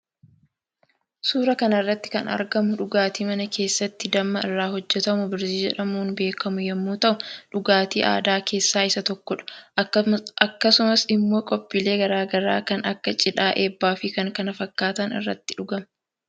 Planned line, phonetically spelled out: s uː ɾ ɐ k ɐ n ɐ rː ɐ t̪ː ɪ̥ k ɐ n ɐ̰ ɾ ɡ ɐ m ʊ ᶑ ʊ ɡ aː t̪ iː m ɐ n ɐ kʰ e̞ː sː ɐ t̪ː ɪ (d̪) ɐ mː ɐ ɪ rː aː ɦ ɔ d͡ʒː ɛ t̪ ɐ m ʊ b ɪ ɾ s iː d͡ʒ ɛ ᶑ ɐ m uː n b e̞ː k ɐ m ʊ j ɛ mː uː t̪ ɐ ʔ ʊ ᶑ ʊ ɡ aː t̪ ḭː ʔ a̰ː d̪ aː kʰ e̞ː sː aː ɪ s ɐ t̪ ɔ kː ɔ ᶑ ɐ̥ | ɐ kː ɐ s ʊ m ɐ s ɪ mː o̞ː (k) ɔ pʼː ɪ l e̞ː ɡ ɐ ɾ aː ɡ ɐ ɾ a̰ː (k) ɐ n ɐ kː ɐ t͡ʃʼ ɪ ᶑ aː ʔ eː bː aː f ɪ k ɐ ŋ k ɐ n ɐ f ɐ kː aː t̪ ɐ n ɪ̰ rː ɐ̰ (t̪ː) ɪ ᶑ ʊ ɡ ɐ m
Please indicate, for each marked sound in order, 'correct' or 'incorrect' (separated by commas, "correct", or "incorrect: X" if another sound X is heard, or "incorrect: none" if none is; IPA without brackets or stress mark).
correct, incorrect: kʼ, correct, correct